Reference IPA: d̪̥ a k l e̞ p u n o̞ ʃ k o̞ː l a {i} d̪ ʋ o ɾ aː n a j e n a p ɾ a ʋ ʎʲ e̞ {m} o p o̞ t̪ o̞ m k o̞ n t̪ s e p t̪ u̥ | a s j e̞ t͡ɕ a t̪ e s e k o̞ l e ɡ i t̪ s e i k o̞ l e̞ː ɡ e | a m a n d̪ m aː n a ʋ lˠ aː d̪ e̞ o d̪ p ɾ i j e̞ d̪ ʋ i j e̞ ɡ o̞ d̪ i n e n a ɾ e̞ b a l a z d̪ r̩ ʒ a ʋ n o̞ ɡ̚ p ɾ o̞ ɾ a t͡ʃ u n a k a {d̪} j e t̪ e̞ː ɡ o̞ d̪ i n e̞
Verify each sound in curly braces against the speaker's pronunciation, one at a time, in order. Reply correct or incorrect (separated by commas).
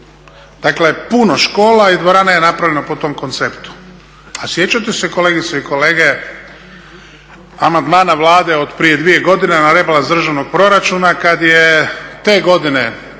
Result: correct, incorrect, correct